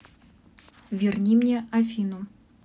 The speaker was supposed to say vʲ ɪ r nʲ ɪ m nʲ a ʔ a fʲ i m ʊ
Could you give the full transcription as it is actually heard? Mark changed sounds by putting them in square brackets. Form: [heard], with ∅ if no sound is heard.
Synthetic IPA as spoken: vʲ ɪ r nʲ [i] m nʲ [e] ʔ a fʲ i [n] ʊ